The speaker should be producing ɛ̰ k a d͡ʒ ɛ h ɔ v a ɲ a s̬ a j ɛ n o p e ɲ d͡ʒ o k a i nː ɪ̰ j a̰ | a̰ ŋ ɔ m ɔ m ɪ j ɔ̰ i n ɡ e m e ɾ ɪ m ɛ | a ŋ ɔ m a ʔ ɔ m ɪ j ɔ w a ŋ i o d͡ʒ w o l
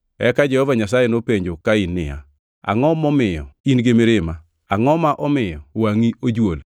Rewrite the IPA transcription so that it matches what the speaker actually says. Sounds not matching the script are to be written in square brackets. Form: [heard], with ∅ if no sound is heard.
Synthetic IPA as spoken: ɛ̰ k a d͡ʒ ɛ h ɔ v a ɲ a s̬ a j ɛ n o p e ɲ d͡ʒ o k a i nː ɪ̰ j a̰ | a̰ ŋ ɔ m ɔ m ɪ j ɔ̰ i n ɡ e m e ɾ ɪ m [a] | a ŋ ɔ m a ʔ ɔ m ɪ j ɔ w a ŋ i o d͡ʒ w o l